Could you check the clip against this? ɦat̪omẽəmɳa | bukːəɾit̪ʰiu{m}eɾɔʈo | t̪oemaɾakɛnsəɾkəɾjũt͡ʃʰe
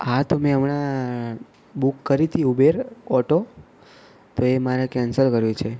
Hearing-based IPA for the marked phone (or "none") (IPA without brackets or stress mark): b